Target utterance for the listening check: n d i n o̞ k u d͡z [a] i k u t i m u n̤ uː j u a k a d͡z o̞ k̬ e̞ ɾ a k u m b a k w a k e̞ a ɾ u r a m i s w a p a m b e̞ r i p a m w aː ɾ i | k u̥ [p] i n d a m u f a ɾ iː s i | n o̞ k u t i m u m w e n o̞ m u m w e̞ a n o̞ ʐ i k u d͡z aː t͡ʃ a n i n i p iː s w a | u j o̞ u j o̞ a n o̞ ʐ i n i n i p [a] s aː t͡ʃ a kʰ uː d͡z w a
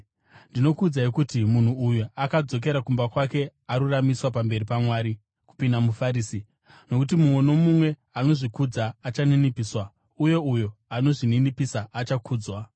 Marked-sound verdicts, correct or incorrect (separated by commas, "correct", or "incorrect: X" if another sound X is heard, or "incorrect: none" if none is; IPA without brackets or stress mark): correct, correct, incorrect: i